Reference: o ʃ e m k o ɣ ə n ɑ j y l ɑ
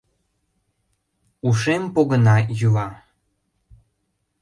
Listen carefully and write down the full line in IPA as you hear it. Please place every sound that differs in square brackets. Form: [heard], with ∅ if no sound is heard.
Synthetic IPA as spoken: [u] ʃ e m [p] o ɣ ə n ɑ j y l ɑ